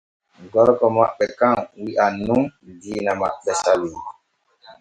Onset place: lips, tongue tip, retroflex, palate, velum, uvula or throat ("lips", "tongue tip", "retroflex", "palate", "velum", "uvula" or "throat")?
velum